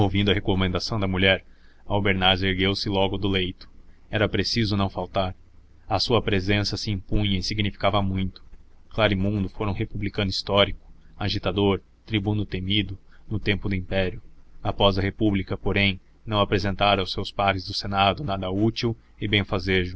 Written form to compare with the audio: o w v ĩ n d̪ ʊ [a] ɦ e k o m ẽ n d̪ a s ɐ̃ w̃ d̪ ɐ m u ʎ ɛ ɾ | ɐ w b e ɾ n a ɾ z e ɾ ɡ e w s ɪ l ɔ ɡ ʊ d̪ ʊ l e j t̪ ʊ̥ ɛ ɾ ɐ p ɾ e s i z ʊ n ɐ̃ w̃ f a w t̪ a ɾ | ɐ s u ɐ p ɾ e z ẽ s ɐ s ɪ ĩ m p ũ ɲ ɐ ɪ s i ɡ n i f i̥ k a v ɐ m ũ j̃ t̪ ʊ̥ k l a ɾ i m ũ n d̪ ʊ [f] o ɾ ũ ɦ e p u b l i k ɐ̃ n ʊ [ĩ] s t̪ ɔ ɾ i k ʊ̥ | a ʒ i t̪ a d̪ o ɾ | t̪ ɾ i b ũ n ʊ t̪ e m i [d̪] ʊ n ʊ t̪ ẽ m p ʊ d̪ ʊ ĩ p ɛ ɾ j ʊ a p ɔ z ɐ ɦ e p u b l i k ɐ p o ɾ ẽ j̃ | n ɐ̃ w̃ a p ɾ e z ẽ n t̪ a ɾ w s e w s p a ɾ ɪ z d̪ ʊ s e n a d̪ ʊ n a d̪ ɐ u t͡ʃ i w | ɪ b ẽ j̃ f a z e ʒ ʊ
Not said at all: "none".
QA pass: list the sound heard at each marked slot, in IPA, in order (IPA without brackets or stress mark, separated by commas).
ɐ, f, i, d̪